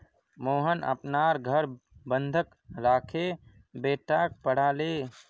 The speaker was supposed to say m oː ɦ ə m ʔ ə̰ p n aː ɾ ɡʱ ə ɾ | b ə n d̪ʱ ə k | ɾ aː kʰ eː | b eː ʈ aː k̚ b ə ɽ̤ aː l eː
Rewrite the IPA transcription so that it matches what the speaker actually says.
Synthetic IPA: m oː ɦ ə n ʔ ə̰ p n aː ɾ ɡʱ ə ɾ | b ə n d̪ʱ ə k | ɾ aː kʰ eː | b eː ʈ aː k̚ p ə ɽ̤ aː l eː